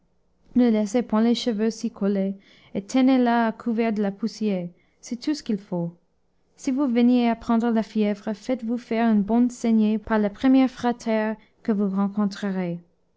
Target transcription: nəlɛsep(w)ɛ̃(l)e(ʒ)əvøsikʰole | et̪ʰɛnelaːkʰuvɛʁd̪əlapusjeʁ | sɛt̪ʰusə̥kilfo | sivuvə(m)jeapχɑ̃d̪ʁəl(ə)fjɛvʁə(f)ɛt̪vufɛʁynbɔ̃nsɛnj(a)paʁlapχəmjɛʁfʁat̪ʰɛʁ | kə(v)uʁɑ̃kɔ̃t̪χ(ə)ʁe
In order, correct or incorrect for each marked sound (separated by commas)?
correct, correct, incorrect, incorrect, incorrect, correct, incorrect, correct, correct